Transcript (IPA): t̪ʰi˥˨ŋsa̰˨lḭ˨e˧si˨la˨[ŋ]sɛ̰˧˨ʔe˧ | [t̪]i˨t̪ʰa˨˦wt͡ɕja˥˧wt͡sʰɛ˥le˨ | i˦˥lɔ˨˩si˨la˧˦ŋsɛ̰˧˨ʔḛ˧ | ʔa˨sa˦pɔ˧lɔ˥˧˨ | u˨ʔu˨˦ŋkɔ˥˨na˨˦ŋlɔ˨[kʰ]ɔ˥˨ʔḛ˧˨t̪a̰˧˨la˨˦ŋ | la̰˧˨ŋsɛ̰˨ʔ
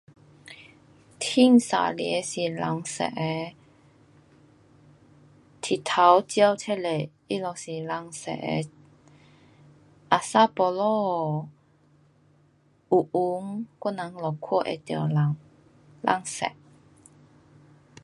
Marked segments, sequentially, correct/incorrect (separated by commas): correct, incorrect, correct